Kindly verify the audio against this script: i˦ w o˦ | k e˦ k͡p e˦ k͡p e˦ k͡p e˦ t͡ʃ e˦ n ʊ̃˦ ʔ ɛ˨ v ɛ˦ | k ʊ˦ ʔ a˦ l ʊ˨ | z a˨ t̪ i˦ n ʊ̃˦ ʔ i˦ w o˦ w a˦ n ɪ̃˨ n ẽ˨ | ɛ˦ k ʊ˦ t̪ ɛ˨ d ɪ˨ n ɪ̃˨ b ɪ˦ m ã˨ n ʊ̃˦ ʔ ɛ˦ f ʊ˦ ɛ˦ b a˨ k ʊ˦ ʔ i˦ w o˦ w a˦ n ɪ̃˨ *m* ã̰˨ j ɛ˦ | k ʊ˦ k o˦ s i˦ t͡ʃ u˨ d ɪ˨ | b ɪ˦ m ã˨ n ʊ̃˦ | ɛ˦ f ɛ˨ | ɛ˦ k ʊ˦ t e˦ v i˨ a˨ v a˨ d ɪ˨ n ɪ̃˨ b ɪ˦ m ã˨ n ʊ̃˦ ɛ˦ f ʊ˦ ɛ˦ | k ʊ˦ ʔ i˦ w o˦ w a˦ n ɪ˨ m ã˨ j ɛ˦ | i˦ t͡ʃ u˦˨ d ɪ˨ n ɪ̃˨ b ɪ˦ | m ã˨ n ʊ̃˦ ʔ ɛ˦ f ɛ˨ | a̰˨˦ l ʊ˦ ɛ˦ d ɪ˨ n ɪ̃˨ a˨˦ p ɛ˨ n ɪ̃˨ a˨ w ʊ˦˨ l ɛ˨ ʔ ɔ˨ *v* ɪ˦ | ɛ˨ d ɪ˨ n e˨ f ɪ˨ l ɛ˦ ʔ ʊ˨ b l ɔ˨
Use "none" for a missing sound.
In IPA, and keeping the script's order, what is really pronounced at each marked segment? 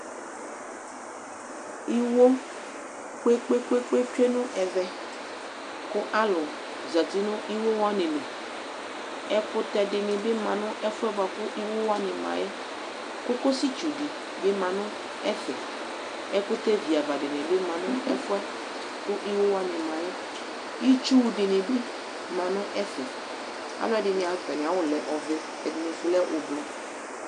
m, v

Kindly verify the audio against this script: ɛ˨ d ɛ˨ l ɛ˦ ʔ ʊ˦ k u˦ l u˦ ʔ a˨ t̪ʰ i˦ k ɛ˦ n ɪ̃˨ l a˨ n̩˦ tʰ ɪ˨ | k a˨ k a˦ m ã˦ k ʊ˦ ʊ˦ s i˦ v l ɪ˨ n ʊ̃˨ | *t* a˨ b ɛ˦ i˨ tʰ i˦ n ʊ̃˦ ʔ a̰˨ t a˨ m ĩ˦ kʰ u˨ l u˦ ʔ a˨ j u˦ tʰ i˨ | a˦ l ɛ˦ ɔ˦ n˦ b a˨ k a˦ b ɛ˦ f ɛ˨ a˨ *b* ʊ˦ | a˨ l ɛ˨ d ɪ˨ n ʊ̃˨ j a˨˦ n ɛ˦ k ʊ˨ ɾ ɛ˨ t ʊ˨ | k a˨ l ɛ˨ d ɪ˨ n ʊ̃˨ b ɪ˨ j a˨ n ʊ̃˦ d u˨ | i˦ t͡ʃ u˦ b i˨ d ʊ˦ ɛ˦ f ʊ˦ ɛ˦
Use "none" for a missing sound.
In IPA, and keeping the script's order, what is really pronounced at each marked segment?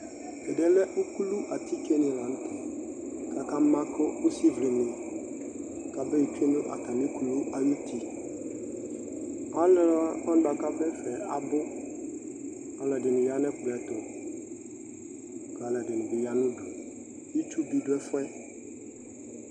k, b

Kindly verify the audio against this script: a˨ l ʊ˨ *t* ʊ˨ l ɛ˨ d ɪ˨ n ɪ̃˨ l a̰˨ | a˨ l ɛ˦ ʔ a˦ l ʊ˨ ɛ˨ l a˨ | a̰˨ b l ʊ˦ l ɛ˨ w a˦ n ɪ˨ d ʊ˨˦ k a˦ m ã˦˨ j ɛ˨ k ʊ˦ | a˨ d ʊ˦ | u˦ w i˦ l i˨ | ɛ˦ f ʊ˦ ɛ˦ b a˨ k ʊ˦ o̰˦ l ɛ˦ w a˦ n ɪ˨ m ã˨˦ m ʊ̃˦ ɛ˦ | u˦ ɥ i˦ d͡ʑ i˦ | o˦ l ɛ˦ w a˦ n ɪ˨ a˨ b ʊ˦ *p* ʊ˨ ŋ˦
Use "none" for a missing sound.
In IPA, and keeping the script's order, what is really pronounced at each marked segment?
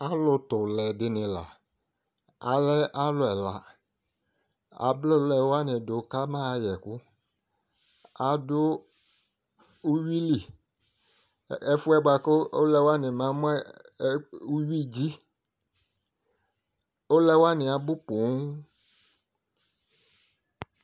t, p

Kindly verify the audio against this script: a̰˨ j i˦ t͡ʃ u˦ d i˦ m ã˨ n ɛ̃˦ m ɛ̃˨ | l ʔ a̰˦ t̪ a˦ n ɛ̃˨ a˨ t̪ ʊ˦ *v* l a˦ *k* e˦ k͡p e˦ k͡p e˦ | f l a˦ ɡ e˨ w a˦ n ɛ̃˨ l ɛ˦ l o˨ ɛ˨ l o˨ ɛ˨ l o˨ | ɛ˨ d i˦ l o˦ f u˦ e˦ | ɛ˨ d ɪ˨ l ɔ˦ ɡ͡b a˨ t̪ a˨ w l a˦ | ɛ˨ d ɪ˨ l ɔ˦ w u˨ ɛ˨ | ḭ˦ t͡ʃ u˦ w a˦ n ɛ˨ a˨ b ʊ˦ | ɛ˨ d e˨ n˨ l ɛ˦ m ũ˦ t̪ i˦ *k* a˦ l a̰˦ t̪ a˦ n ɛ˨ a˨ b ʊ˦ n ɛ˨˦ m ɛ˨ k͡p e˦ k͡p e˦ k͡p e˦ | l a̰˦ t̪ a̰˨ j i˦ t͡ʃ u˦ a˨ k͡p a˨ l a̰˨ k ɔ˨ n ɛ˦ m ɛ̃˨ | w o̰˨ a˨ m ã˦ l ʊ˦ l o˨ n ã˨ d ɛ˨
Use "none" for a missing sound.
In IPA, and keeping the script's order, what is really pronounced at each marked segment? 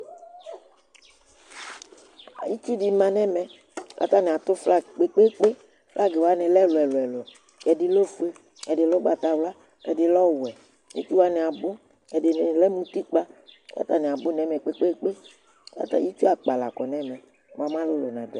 f, k͡p, k͡p

